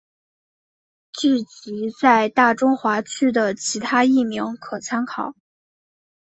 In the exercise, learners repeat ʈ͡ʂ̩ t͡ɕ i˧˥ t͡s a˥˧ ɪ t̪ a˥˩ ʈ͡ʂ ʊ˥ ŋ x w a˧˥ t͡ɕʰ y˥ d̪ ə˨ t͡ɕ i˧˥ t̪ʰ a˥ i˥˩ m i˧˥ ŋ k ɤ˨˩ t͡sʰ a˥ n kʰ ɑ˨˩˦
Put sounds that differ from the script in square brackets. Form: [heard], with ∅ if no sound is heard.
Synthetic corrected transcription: ʈ͡ʂ̩ t͡ɕ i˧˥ t͡s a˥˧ ɪ t̪ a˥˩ ʈ͡ʂ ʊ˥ ŋ x w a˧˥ t͡ɕʰ y˥ d̪ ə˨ [t͡ɕʰ] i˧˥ t̪ʰ a˥ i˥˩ m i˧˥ ŋ [kʰ] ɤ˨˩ t͡sʰ a˥ n kʰ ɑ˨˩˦